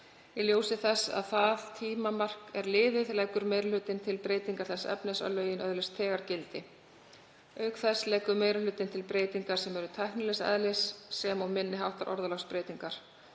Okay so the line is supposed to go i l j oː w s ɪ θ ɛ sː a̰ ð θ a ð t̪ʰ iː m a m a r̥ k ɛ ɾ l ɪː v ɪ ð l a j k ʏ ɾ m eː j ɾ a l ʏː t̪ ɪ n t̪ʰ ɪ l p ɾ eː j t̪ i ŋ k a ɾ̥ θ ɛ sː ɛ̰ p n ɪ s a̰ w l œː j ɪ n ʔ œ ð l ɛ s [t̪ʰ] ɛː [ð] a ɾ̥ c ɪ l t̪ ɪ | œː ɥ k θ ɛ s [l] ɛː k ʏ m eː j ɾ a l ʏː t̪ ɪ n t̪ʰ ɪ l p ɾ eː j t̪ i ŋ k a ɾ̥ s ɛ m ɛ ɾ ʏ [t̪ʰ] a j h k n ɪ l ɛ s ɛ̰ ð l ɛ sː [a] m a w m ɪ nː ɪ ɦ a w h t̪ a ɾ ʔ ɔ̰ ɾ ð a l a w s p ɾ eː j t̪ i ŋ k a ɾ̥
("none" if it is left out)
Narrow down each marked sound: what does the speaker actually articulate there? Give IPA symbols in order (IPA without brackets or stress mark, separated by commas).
t̪ʰ, ɣ, l, t̪ʰ, ɛ